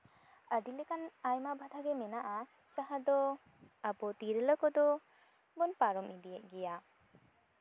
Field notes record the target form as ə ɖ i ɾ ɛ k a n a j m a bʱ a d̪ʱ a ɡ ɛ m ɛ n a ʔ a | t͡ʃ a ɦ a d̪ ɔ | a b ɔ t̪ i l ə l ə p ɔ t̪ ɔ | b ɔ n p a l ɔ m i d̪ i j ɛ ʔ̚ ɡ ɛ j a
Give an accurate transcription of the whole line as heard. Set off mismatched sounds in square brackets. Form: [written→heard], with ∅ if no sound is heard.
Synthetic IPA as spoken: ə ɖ i [ɾ→l] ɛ k a n a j m a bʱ a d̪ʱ a ɡ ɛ m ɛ n a ʔ a | t͡ʃ a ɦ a d̪ ɔ | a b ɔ t̪ i [l→ɾ] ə l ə [p→k] ɔ [t̪→d̪] ɔ | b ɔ n p a [l→ɾ] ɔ m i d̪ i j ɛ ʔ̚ ɡ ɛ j a